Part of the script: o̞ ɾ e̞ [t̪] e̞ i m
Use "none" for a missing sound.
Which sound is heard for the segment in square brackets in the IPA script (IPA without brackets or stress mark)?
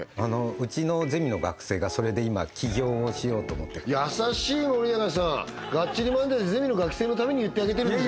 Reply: d̪